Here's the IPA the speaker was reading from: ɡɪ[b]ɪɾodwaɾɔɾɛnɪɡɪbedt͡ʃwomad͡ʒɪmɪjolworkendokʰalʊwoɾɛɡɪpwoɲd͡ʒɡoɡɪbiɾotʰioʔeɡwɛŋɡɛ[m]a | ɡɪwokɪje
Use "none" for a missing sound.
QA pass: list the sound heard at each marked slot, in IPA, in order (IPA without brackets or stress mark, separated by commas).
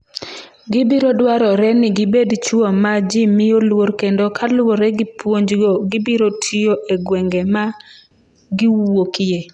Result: b, m